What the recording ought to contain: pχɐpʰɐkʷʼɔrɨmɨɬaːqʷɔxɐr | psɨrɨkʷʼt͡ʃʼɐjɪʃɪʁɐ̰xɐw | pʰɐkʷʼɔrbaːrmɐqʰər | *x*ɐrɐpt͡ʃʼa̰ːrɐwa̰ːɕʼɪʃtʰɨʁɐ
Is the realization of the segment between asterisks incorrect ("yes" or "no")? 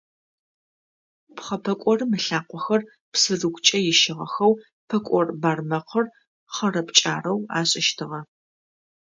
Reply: yes